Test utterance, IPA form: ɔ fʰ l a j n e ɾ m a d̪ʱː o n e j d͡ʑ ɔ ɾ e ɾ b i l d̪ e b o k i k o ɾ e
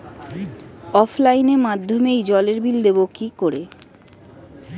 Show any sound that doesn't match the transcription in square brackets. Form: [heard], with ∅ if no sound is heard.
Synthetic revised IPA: ɔ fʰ l a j n e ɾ m a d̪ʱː o [m] e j d͡ʑ ɔ [l] e ɾ b i l d̪ e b o k i k o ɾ e

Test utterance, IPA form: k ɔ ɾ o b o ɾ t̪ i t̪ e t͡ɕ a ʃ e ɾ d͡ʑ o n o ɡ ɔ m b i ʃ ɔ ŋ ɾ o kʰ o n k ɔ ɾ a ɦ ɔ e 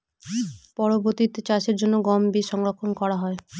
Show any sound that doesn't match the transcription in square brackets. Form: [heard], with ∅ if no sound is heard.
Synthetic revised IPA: [p] ɔ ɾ o b o ɾ t̪ i t̪ e t͡ɕ a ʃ e ɾ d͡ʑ o [nː] o ɡ ɔ m b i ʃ ɔ ŋ ɾ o kʰ o n k ɔ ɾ a ɦ ɔ e

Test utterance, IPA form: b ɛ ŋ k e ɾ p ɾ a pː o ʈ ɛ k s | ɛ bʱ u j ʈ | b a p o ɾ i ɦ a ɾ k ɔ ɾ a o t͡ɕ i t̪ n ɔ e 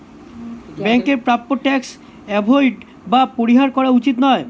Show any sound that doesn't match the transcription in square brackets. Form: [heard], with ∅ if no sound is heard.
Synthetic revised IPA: b ɛ ŋ k e ɾ p ɾ a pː o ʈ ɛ k s | ɛ bʱ [o] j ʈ | b a p o ɾ i ɦ a ɾ k ɔ ɾ a [u] t͡ɕ i t̪ n ɔ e

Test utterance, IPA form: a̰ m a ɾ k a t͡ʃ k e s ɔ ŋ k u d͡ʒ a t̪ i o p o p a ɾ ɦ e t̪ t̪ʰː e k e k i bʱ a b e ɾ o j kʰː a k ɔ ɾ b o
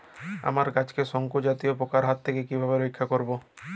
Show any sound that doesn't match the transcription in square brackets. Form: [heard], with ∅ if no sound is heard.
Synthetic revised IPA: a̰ m a ɾ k a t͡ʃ k e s ɔ ŋ k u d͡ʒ a t̪ i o p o [k] a ɾ ɦ [a] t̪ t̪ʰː e k e k i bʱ a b e ɾ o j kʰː a k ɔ ɾ b o

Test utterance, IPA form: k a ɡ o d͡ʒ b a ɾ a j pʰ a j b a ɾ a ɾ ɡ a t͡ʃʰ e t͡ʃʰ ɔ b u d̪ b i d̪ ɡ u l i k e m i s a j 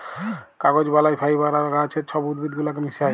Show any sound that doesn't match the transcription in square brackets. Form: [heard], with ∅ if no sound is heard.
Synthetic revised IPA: k a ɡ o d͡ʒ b a [l] a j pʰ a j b a ɾ a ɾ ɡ a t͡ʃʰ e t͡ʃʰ ɔ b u d̪ b i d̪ ɡ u l [a] k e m i s a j

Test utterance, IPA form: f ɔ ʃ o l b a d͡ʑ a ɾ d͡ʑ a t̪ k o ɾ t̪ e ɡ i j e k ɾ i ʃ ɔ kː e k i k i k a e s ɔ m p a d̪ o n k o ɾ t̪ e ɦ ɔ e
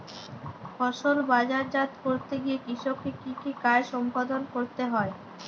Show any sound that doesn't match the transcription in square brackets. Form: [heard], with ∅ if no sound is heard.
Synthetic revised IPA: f ɔ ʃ o l b a d͡ʑ a ɾ d͡ʑ a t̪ k o ɾ t̪ e ɡ i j e k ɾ i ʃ [o] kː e k i k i k a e [ʃ] ɔ m p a d̪ o n k o ɾ t̪ e ɦ ɔ e

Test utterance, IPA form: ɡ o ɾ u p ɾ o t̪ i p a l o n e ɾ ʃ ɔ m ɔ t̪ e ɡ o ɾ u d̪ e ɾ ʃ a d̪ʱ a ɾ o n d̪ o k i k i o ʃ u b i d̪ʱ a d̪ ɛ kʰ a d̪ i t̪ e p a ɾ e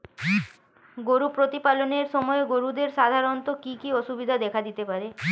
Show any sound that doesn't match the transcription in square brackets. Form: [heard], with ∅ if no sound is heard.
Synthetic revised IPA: ɡ o ɾ u p ɾ o t̪ i p a l o n e ɾ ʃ ɔ m ɔ [∅] e ɡ o ɾ u d̪ e ɾ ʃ a d̪ʱ a ɾ o n [t̪] o k i k i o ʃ u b i d̪ʱ a d̪ ɛ kʰ a d̪ i t̪ e p a ɾ e

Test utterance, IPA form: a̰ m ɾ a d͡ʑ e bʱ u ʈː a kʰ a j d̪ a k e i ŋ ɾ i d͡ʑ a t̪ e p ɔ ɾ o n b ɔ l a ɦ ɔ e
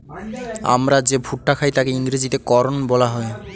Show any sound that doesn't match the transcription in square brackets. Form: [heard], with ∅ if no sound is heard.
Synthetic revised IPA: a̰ m ɾ a d͡ʑ e bʱ u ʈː a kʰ a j [t̪] a k e i ŋ ɾ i d͡ʑ [i] t̪ e [k] ɔ ɾ o n b ɔ l a ɦ ɔ e

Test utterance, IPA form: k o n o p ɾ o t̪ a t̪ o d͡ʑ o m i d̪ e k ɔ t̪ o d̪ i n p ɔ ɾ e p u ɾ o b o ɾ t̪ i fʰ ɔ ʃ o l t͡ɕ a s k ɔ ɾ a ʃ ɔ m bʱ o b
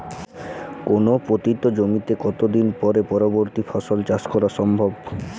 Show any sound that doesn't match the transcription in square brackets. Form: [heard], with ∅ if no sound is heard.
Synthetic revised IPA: k o n o p ɾ o t̪ [i] t̪ o d͡ʑ o m i [t̪] e k ɔ t̪ o d̪ i n p ɔ ɾ e p [ɔ] ɾ o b o ɾ t̪ i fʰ ɔ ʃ o l t͡ɕ a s k ɔ ɾ a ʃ ɔ m bʱ o b

